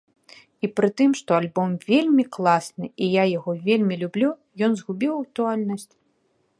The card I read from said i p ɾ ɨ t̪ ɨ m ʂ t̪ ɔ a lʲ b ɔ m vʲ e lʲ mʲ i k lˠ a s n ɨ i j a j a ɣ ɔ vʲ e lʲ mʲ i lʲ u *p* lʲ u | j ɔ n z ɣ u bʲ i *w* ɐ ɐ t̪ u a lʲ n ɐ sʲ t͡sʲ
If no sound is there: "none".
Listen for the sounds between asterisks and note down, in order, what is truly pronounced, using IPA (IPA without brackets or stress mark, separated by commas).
b, w